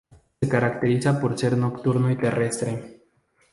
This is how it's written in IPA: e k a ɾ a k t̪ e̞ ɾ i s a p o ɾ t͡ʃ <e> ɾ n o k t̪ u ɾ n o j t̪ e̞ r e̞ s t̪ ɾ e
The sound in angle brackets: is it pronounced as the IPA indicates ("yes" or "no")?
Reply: yes